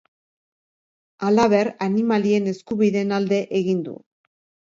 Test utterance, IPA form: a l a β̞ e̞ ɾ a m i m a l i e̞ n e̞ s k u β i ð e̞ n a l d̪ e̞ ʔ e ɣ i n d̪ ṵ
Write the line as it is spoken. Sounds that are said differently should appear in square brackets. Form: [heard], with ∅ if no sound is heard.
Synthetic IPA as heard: a l a β̞ e̞ ɾ a [n] i m a l i e̞ n e̞ s k u β i ð e̞ n a l d̪ e̞ ʔ e ɣ i n d̪ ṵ